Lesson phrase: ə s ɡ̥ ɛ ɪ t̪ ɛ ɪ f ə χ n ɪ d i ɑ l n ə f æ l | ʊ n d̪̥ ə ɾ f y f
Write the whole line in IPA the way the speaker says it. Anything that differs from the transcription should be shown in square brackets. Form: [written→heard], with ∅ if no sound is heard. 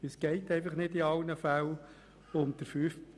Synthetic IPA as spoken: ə s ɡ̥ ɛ ɪ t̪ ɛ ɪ f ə χ n ɪ d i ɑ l n ə f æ l | ʊ [n→m] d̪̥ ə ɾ f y f

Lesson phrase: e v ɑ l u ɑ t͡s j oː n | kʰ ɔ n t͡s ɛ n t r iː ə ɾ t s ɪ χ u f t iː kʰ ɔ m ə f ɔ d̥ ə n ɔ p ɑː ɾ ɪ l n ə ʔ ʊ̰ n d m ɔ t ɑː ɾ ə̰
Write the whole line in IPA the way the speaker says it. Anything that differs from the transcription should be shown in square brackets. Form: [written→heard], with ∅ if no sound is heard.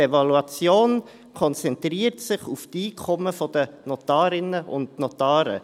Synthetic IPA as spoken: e v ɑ l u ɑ t͡s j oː n | kʰ ɔ n t͡s ɛ n t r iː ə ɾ t s ɪ χ u f t iː kʰ ɔ m ə f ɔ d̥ ə n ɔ [p→t] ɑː ɾ ɪ [l→∅] n ə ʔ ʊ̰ n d [m→n] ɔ t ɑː ɾ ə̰

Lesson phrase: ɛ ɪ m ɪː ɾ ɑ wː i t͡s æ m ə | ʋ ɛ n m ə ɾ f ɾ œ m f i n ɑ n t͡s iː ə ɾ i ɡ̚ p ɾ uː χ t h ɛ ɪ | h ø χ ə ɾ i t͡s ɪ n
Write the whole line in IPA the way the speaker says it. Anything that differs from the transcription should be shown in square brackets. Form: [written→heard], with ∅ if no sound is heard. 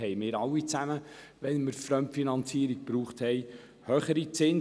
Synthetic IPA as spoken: ɛ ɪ m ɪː ɾ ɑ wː i t͡s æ m ə | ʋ ɛ n m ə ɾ f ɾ œ m f i n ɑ n t͡s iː ə ɾ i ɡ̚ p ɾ uː χ t h ɛ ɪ | h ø χ ə ɾ i t͡s ɪ n

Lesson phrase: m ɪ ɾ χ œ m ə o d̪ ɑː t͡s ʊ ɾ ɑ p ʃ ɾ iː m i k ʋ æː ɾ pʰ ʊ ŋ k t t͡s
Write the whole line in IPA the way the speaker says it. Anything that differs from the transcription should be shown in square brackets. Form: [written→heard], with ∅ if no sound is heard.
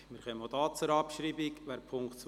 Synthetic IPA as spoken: m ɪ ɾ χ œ m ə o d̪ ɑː t͡s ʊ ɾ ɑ p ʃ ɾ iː [m→b] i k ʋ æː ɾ pʰ ʊ ŋ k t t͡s

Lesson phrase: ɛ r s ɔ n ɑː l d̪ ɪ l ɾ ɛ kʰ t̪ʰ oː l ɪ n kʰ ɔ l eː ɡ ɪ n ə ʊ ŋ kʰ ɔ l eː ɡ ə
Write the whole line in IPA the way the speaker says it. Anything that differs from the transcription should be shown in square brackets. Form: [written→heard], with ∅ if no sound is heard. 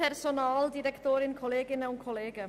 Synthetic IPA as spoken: ɛ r s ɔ n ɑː l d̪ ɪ [l→∅] ɾ ɛ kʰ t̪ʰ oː [l→ɾ] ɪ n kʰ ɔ l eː ɡ ɪ n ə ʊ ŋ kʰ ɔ l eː ɡ ə

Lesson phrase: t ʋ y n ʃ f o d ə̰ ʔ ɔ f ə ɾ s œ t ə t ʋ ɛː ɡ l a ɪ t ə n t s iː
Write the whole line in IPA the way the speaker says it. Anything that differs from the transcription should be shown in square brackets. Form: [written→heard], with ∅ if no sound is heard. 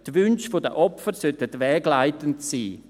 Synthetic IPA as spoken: t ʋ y n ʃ f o d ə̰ ʔ ɔ f ə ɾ s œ t ə t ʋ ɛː ɡ l a ɪ t ə n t s iː

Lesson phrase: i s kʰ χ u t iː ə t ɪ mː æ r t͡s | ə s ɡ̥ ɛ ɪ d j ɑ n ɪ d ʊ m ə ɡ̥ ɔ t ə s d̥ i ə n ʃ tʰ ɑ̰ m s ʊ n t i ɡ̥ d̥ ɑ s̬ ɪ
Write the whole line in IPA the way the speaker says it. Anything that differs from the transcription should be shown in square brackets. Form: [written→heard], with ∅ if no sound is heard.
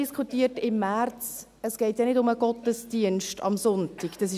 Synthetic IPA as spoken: i s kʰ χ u t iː ə t ɪ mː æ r t͡s | ə s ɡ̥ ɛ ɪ [d→t] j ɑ n ɪ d ʊ m ə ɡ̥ ɔ t ə s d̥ i ə n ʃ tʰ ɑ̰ m s ʊ n t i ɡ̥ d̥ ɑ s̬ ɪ

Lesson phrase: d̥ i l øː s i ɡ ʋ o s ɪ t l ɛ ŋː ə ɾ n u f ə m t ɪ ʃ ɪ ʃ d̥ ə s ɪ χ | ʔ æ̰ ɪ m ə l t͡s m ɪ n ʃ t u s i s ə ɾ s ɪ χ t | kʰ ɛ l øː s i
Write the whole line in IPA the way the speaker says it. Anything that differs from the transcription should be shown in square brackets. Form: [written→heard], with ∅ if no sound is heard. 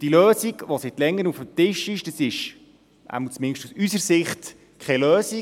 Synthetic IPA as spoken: d̥ i l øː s i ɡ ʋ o s ɪ t l ɛ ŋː ə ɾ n u f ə m t ɪ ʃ ɪ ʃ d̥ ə s ɪ [χ→ʃ] | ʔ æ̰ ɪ m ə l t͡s m ɪ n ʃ t u s [i→y] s ə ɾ s ɪ χ t | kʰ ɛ l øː s i

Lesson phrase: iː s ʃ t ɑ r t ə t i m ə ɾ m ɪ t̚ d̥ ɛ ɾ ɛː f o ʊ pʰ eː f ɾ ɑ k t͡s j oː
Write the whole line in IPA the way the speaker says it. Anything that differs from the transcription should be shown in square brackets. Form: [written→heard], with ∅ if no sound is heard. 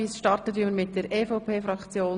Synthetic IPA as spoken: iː s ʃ t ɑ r t ə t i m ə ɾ m ɪ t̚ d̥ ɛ ɾ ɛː f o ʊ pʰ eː f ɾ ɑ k t͡s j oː

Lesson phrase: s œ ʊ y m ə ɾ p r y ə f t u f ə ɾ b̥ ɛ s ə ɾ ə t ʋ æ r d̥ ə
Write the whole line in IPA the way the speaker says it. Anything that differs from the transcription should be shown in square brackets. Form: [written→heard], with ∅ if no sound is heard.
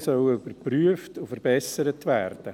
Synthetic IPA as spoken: s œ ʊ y [m→b] ə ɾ p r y ə f t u f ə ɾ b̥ ɛ s ə ɾ ə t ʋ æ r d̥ ə

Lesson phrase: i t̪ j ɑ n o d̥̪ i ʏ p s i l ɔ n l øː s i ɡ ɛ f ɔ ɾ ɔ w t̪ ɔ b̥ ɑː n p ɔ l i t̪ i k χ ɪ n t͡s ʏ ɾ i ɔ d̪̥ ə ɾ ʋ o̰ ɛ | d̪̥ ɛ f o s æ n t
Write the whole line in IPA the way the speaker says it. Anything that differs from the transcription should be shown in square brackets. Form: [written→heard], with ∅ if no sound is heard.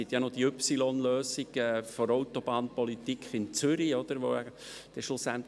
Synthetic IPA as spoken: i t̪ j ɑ n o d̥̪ i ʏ p s i l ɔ n l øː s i ɡ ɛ f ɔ ɾ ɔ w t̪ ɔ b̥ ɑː n p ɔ l i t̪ i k χ ɪ n t͡s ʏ ɾ i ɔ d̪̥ ə ɾ ʋ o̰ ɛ | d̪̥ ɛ [f→ʃ] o s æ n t

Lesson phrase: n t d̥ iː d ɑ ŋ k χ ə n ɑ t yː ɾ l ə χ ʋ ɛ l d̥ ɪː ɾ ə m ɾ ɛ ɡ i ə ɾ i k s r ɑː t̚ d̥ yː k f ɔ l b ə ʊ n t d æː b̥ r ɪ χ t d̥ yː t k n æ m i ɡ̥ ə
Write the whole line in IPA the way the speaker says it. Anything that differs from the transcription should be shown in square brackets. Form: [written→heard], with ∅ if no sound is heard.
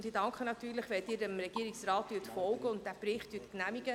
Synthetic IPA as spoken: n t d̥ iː d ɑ ŋ k χ ə n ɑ t yː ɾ l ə χ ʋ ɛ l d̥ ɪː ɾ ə m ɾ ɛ ɡ i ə ɾ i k s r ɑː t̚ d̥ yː [k→t] f ɔ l [b→ɡ] ə ʊ n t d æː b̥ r ɪ χ t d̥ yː t k n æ m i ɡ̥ ə

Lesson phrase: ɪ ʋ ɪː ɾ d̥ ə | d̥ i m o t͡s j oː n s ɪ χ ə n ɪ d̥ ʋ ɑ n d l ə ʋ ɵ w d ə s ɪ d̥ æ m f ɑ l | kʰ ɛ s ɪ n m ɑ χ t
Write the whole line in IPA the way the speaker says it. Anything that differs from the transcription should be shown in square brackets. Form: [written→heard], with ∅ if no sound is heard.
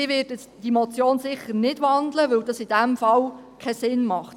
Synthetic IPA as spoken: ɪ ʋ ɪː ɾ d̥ ə | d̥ i m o t͡s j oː n s ɪ χ ə n ɪ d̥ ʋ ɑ n d l ə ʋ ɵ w d [ə→ɑ] s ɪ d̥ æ m f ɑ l | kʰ ɛ s ɪ n m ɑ χ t

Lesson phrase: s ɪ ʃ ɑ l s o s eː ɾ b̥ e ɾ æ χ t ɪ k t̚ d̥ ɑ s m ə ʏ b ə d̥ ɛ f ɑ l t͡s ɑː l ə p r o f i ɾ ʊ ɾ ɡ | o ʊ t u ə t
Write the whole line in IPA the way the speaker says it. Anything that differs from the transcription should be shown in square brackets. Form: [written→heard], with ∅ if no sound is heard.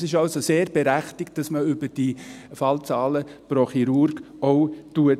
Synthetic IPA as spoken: s ɪ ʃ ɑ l s o s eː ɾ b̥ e ɾ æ χ t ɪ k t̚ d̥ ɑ s m ə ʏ b ə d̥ [ɛ→i] f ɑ l t͡s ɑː l ə p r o [f→χ] i ɾ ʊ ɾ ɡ | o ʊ t u ə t

